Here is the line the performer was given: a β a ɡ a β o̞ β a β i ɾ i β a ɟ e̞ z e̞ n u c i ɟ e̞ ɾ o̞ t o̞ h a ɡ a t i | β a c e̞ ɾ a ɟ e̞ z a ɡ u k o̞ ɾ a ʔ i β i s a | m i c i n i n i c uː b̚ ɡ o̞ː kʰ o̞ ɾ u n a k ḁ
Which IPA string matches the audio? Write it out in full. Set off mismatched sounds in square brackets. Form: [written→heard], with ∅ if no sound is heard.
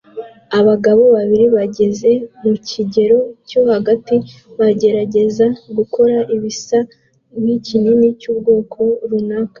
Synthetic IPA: a β a ɡ a β o̞ β a β i ɾ i β a ɟ e̞ z e̞ [n→m] u c i ɟ e̞ ɾ o̞ [t→c] o̞ h a ɡ a t i | β a [c→ɟ] e̞ ɾ a ɟ e̞ z a ɡ u k o̞ ɾ a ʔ i β i s a | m i c i n i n i c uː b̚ ɡ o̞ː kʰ o̞ ɾ u n a k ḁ

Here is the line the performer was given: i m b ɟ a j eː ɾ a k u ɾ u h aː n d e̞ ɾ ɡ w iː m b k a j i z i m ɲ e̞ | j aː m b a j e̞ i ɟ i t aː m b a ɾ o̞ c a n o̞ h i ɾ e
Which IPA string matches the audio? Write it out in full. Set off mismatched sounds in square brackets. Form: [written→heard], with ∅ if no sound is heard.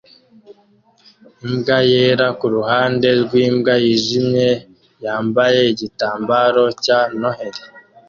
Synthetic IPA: i m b [ɟ→ɡ] a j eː ɾ a k u ɾ u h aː n d e̞ ɾ ɡ w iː m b [k→ɡ] a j i [z→ʒ] i m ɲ e̞ | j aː m b a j e̞ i ɟ i t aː m b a ɾ o̞ c a n o̞ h [i→e] ɾ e

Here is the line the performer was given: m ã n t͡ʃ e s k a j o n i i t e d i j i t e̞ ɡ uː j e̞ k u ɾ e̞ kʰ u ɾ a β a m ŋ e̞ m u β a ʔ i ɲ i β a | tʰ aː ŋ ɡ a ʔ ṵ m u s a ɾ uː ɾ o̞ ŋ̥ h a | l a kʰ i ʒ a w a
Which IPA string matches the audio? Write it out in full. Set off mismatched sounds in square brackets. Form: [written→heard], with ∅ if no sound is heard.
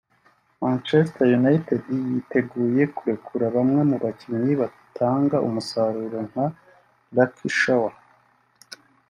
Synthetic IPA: m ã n t͡ʃ e s [k→t] a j [o→u] n [i→a] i t e d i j i t e̞ ɡ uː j e̞ k u ɾ e̞ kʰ u ɾ a β a m ŋ e̞ m u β a [ʔ→c] i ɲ i β a | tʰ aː ŋ ɡ a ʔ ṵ m u s a ɾ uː ɾ o̞ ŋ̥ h a | l a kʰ i [ʒ→ʃ] a w a

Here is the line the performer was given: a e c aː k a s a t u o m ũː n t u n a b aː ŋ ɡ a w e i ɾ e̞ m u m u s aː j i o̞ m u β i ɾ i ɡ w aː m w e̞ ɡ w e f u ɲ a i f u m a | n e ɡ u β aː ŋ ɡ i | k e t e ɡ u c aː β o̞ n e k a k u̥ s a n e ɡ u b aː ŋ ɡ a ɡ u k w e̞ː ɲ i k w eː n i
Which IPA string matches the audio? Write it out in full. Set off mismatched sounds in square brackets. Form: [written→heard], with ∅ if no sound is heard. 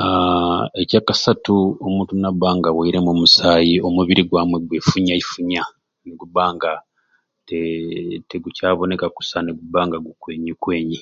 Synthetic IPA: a e c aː k a s a t u o m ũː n t u n a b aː ŋ ɡ a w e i ɾ e̞ m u m u s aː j i o̞ m u β i ɾ i ɡ w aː m w e̞ ɡ w e f u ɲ a i f u [m→ɲ] a | n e ɡ u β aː ŋ ɡ [i→a] | [k→t] e t e ɡ u c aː β o̞ n e k a k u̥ s a n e ɡ u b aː ŋ ɡ a ɡ u k w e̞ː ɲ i k w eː [n→ɲ] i

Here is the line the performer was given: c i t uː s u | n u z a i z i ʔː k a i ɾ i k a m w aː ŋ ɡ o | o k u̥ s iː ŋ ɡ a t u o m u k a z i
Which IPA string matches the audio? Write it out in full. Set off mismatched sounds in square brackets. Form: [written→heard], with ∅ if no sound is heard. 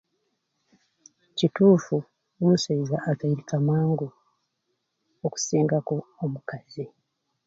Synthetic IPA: c i t uː [s→f] u | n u [z→s] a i z [i→a] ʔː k a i ɾ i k a m w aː ŋ ɡ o | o k u̥ s iː ŋ ɡ a [t→k] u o m u k a z i

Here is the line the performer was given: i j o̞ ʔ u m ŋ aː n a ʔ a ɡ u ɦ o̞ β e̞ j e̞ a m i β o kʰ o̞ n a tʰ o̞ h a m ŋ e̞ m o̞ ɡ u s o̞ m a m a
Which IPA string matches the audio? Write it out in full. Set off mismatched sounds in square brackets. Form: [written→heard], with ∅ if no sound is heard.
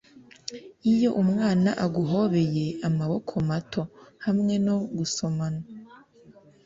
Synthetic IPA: i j o̞ ʔ u m ŋ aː n a ʔ a ɡ u ɦ o̞ β e̞ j e̞ a m [i→a] β o kʰ o̞ [n→m] a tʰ o̞ h a m ŋ e̞ [m→n] o̞ ɡ u s o̞ m a [m→n] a

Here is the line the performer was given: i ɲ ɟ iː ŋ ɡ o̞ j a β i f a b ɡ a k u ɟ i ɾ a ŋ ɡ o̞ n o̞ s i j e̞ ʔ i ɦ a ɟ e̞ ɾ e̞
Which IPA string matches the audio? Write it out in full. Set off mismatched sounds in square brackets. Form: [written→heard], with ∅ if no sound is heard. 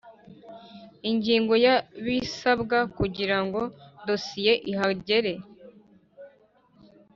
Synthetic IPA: i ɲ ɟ iː ŋ ɡ o̞ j a β i [f→s] a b ɡ a k u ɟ i ɾ a ŋ ɡ o̞ [n→d] o̞ s i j e̞ ʔ i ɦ a ɟ e̞ ɾ e̞

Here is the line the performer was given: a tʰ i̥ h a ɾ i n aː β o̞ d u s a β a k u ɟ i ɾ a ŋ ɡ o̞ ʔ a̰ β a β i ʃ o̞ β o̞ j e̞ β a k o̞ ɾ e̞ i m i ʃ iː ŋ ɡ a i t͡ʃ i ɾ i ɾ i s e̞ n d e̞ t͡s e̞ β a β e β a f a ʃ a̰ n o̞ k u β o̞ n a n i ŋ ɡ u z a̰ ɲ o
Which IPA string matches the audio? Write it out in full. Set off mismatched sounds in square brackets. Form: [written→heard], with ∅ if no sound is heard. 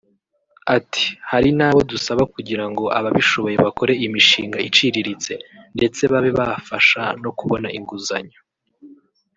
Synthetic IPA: a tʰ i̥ h a ɾ i n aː β o̞ d u s a β a k u ɟ i ɾ a ŋ ɡ o̞ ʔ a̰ β a β i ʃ o̞ β o̞ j e̞ β a k o̞ ɾ e̞ i m i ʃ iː ŋ ɡ a i t͡ʃ i ɾ i ɾ i [s→t͡s] e̞ n d e̞ t͡s e̞ β a β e β a f a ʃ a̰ n o̞ k u β o̞ n a [n→∅] i ŋ ɡ u z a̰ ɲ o

